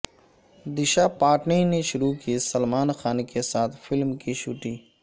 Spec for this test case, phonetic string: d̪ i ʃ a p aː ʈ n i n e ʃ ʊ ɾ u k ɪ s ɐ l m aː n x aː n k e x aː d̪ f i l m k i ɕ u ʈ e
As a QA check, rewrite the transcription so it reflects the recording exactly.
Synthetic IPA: d̪ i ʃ a p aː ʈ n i n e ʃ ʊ ɾ u k i s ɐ l m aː n x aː n k e s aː t̪ f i l m k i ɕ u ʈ i